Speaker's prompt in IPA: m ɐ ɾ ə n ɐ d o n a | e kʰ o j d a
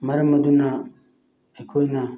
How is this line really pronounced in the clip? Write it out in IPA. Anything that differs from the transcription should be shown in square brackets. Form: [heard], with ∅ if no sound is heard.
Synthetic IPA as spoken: m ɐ ɾ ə [m] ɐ d [u] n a | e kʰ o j [n] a